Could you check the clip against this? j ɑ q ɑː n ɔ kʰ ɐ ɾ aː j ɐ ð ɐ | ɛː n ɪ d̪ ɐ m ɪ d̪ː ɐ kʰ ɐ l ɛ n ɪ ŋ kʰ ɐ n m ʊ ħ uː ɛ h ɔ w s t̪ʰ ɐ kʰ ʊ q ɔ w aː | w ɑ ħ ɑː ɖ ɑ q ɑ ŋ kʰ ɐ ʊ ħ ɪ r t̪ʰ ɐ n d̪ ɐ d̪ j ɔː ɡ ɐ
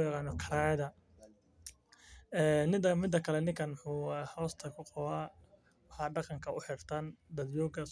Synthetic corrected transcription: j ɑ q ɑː n ɔ kʰ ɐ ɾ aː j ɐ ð ɐ | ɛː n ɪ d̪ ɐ m ɪ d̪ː ɐ kʰ ɐ l ɛ n ɪ ŋ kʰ ɐ n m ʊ ħ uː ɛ h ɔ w s t̪ʰ ɐ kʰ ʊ q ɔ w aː | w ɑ ħ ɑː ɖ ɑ q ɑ ŋ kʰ ɐ ʊ ħ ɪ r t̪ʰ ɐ n d̪ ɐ d̪ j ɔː ɡ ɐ